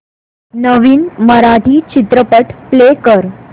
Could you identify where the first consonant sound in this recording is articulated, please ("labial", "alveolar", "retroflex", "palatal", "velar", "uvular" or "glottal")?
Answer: alveolar